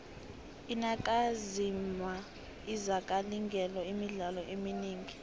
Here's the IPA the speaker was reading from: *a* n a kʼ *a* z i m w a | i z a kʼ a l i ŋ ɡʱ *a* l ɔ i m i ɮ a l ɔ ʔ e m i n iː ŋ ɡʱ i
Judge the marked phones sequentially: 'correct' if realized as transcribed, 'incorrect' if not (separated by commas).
incorrect, correct, incorrect